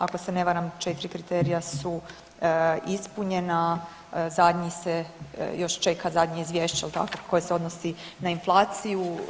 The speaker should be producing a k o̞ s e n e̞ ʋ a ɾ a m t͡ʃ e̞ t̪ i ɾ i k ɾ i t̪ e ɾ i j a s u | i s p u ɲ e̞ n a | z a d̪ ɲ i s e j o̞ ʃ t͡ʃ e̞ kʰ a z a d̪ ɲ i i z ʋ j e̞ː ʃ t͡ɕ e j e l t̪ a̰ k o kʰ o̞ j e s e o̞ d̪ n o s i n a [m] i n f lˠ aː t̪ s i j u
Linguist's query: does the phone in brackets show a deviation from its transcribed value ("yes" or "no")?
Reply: yes